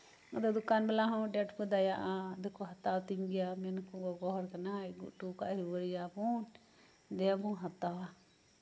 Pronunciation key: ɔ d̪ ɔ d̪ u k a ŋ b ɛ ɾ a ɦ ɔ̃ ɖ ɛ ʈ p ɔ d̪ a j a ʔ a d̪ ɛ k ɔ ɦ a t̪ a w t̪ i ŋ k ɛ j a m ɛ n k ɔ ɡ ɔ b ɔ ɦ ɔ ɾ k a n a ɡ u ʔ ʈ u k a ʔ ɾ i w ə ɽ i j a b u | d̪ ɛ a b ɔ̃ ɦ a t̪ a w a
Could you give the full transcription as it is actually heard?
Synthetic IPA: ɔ d̪ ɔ d̪ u k a n b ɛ l a ɦ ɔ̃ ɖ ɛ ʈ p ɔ d̪ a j a ʔ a d̪ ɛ k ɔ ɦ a t̪ a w t̪ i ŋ ɡ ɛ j a m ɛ n k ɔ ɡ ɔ ɡ ɔ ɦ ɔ ɾ k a n a ɡ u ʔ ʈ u k a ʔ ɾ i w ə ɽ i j a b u | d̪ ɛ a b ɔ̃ ɦ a t̪ a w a